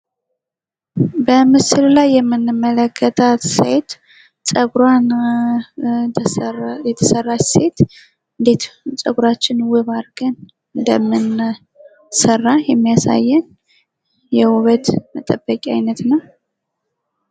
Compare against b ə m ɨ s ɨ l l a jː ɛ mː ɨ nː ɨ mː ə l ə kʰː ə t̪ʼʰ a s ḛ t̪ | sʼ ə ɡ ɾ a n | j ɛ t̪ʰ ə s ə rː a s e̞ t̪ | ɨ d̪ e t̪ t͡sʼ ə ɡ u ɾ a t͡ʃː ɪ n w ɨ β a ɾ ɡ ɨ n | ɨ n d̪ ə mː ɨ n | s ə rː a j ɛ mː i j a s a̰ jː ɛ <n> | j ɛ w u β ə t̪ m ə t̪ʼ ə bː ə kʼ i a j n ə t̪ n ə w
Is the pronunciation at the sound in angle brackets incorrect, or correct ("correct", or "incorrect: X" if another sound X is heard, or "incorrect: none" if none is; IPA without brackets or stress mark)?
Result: correct